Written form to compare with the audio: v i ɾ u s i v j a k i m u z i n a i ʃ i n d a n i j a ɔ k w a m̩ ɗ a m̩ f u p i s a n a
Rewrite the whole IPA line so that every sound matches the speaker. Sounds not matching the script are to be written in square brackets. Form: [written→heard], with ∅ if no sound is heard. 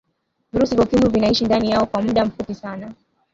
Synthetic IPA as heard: v i ɾ u s i v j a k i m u [z→v] i n a i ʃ i n d a n i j a ɔ k w a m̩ ɗ a m̩ f u p i s a n a